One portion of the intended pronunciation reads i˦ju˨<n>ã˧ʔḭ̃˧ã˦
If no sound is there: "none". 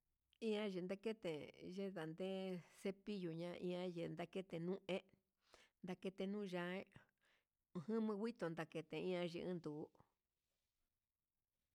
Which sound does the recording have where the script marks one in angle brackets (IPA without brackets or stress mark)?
ɲ